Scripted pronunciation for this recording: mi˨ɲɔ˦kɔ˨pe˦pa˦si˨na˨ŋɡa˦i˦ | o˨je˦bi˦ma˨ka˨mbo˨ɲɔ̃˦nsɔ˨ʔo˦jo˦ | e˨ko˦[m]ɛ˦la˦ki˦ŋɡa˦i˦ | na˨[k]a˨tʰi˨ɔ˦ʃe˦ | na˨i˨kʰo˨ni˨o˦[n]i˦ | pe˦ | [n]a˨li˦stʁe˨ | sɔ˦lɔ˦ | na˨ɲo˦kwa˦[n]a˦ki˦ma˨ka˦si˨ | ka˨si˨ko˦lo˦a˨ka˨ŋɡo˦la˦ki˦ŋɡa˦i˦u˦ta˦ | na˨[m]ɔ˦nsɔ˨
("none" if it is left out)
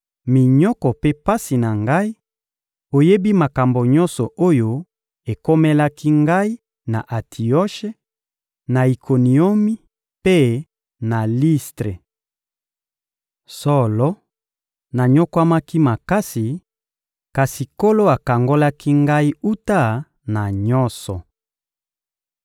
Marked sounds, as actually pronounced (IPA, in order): m, ʔ, m, n, m, ɲ

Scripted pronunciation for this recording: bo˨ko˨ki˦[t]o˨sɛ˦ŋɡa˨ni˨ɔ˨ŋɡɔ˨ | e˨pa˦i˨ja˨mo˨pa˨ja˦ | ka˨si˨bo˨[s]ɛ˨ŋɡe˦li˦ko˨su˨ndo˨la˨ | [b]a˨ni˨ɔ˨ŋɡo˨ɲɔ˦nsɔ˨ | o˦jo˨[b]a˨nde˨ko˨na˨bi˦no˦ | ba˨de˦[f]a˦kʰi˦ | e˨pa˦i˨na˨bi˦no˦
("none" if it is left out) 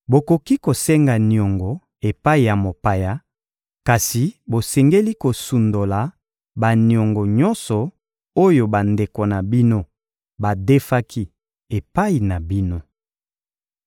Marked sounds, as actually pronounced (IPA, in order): k, s, b, b, f

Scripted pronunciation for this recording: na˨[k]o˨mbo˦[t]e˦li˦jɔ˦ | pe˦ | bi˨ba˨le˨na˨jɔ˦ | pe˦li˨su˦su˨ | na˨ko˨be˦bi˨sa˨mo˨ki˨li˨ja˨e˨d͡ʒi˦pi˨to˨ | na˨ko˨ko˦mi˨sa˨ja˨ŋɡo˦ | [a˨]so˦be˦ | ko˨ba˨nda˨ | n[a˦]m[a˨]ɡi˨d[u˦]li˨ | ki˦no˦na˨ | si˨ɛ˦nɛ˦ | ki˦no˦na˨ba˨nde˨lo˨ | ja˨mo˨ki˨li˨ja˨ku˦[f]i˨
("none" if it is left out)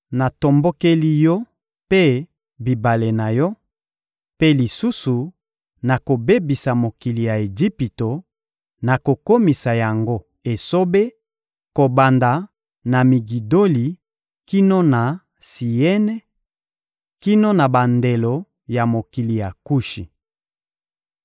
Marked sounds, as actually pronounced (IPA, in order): t, k, e˨, a˨, i˨, o˦, ʃ

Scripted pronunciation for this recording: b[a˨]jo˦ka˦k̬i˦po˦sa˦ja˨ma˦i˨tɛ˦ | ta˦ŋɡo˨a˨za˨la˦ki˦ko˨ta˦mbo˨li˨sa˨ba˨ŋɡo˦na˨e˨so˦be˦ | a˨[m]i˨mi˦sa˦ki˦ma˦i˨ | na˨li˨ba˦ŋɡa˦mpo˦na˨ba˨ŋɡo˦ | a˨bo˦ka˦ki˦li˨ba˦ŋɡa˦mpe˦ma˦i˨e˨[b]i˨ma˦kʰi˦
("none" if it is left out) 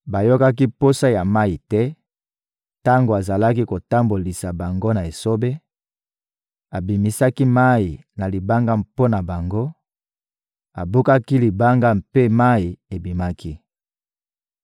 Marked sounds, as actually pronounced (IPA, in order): a˨, b, b

